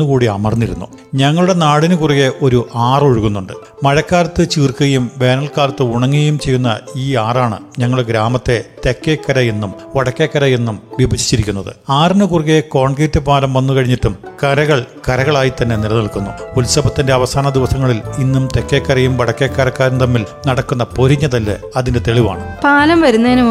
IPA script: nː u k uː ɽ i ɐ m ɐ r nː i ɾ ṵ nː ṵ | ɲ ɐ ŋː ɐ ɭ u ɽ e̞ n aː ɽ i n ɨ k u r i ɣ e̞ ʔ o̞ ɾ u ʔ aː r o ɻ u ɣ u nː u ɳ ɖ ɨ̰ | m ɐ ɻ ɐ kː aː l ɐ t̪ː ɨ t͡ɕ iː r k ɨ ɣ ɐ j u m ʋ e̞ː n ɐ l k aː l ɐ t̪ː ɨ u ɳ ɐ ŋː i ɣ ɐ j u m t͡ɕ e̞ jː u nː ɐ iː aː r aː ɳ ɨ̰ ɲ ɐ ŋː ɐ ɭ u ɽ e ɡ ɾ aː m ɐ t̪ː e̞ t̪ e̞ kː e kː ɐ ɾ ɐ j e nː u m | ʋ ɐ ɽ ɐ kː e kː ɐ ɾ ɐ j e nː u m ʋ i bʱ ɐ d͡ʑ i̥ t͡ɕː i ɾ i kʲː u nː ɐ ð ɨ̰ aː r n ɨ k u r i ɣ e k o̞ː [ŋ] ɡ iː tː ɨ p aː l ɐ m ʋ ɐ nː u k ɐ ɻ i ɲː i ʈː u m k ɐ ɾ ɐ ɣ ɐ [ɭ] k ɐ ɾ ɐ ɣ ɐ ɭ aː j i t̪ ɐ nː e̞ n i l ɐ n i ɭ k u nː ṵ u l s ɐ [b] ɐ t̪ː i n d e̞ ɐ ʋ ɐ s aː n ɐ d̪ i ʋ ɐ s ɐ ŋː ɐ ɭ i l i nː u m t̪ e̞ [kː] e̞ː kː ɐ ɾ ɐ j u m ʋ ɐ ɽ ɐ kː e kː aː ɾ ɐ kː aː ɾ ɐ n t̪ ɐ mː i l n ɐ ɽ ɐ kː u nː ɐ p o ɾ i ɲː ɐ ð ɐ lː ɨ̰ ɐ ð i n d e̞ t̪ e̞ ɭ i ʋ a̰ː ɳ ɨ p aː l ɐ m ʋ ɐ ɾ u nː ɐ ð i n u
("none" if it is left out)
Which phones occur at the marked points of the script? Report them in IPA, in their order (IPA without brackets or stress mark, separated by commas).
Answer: ɳ, ɭ, b, kː